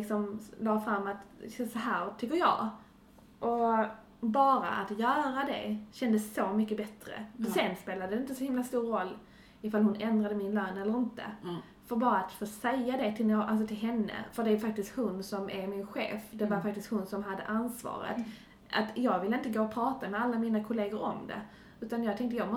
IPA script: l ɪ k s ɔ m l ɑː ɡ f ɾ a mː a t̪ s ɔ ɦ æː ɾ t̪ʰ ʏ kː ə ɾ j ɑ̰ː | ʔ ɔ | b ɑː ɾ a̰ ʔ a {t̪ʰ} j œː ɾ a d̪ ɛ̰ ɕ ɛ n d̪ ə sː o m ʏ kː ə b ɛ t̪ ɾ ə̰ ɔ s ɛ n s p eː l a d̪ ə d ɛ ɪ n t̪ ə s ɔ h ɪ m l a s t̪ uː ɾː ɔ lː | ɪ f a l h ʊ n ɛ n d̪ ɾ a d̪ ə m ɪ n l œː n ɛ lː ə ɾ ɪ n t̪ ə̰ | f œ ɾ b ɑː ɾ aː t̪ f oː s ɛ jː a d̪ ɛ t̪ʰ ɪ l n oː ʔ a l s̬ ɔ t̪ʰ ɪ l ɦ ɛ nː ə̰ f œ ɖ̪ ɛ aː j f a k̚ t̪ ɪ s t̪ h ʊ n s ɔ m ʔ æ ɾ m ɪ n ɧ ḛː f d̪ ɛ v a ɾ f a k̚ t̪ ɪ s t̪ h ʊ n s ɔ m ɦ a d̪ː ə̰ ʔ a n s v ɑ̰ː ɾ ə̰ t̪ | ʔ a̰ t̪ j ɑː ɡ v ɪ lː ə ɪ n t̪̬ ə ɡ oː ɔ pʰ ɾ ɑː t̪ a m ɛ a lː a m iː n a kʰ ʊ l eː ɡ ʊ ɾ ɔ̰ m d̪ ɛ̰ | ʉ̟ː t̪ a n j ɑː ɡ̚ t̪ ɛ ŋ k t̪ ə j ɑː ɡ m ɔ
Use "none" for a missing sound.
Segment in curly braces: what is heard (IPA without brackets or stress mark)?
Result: t̪